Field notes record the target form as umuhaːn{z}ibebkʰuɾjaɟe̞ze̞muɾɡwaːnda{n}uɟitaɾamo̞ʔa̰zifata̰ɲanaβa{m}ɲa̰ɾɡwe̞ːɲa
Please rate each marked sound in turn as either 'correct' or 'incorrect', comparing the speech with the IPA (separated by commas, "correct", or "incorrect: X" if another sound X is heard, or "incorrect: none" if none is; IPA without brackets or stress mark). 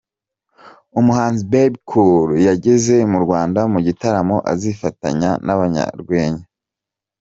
correct, incorrect: m, incorrect: none